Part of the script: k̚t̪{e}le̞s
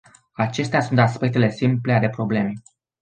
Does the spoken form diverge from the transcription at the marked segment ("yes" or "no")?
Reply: no